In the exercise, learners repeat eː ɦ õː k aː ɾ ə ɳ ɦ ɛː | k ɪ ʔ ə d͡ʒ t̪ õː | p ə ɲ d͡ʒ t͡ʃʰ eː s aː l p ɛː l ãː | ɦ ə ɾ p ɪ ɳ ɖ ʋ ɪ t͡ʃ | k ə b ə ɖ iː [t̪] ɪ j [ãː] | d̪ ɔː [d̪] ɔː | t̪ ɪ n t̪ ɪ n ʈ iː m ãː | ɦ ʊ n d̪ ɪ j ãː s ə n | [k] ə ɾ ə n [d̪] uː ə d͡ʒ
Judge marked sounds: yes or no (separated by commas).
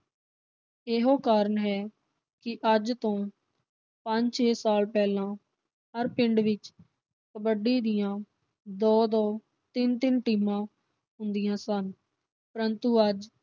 no, yes, yes, no, no